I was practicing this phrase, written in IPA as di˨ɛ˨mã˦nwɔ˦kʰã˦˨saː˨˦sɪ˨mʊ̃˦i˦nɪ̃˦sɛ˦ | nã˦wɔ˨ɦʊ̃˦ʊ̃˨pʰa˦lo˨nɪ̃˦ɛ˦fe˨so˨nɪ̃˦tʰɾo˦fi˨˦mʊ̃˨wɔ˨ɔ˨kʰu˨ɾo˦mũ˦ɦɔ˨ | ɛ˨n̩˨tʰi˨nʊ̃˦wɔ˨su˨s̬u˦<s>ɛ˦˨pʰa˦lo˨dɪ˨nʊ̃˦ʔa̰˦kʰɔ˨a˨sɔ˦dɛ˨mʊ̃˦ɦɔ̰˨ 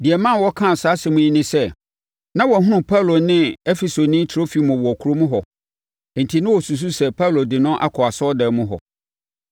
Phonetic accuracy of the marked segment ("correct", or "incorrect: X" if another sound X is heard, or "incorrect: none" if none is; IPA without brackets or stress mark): correct